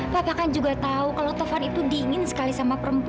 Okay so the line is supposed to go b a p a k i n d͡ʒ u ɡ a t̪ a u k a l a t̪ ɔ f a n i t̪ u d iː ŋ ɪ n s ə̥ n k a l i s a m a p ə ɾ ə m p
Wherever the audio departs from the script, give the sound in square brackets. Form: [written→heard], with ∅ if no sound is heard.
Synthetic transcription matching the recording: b a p a k [i→a] n d͡ʒ u ɡ a t̪ a u k a l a t̪ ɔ f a n i t̪ u d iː ŋ ɪ n s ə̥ [n→∅] k a l i s a m a p ə ɾ ə m p